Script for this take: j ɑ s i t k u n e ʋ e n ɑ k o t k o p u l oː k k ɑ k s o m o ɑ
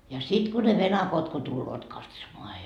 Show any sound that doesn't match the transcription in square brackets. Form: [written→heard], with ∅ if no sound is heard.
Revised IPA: j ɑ s i t k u n e ʋ e n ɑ k o t k o [p→t] u [l→lː] oː [k→t] k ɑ [k→t] s o m o ɑ